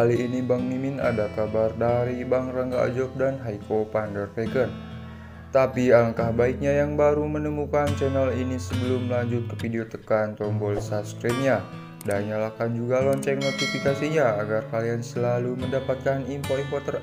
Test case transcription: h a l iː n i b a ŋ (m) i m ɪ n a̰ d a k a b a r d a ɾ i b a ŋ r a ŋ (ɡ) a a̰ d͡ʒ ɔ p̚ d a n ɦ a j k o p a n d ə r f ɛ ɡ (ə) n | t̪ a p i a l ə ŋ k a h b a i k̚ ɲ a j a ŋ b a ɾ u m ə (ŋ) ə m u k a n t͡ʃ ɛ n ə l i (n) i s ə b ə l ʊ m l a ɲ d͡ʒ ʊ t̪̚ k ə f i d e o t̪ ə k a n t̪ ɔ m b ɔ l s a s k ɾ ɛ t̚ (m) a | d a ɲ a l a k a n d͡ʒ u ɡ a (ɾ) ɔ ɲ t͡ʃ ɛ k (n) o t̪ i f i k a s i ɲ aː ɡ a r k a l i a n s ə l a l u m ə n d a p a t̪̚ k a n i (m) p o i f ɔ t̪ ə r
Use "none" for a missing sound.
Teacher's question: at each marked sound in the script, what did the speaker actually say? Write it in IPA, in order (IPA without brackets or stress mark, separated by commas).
m, ɡ, ə, n, n, ɲ, l, n, m